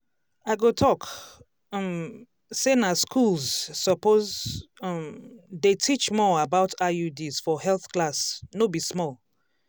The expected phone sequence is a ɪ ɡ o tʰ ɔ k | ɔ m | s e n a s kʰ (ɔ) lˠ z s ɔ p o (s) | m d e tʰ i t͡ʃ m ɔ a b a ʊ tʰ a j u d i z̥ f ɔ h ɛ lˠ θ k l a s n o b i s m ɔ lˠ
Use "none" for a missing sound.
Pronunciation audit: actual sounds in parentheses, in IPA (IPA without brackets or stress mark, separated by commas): u, z